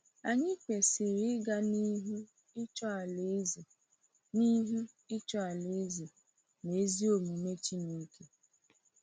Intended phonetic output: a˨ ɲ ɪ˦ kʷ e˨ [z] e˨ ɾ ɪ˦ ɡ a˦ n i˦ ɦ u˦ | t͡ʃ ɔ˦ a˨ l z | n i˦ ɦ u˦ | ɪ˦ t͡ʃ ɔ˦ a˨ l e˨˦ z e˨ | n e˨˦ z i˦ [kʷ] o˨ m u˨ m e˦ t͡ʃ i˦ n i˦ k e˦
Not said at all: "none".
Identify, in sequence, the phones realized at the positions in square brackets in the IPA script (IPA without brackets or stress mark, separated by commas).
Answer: s, none